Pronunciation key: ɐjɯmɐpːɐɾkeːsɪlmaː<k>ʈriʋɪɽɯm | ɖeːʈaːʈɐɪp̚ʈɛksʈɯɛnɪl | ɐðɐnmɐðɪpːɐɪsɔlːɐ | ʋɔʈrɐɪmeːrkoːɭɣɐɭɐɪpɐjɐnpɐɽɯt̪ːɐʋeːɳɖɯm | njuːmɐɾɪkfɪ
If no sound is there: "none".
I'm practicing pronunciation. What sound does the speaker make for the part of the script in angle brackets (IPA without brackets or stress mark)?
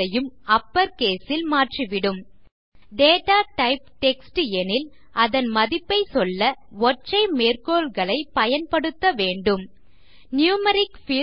none